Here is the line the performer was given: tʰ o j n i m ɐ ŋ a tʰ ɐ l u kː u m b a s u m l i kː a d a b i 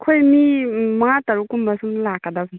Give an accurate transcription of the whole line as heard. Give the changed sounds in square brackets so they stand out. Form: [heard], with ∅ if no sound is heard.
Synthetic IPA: [kʰ] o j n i m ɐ ŋ a [t] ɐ [ɾ] u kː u m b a s u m l [a] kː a d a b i